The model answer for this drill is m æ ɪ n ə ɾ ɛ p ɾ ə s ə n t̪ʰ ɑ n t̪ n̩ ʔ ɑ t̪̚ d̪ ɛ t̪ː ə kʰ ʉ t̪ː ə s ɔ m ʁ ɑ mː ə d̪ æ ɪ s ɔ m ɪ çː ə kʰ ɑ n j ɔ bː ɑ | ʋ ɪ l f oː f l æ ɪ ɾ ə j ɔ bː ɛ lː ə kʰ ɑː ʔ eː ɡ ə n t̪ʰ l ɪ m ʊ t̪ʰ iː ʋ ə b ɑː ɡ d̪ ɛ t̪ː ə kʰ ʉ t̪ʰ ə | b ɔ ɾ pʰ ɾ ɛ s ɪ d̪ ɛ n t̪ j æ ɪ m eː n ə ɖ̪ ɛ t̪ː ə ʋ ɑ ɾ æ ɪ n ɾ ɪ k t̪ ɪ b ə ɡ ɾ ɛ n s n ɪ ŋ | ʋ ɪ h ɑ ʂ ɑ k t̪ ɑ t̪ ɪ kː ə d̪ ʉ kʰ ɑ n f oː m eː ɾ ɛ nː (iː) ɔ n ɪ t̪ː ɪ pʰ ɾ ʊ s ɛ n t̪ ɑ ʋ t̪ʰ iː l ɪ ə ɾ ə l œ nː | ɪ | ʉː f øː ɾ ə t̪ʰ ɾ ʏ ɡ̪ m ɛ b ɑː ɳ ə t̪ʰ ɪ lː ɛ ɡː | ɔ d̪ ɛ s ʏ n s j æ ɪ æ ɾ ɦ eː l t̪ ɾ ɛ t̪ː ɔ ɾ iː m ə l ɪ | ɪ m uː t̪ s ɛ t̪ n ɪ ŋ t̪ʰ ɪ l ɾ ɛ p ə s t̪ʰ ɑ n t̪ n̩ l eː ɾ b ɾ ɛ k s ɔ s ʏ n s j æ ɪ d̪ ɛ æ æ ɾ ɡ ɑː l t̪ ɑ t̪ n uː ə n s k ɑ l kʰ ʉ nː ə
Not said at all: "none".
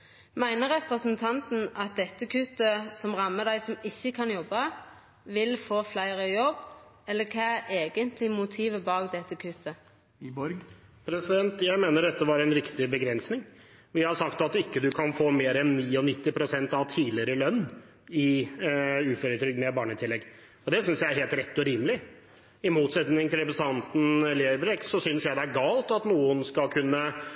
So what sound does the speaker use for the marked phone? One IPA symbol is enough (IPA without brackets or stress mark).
iː